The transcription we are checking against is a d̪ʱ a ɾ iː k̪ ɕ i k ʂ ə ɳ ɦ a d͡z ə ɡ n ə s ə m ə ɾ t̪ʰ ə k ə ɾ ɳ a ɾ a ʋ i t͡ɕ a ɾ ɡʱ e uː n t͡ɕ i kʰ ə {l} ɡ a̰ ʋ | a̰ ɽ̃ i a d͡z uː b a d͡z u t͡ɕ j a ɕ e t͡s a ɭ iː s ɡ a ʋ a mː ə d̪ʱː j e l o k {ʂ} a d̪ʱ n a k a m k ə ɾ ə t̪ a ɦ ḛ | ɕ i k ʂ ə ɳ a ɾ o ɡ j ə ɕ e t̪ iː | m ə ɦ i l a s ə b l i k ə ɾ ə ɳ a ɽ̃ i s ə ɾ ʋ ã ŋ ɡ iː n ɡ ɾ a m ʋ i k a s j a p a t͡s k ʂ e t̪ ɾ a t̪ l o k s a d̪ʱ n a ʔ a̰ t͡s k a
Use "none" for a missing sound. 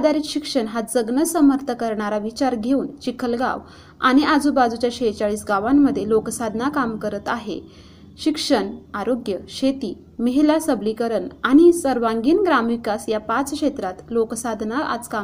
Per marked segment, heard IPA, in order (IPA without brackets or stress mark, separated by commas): l, s